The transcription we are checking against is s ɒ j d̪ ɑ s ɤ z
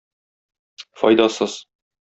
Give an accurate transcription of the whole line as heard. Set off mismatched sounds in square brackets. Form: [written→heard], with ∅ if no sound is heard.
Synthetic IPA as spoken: [s→f] ɒ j d̪ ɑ s ɤ z